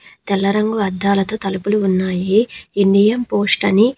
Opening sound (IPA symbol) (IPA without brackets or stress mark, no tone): t̪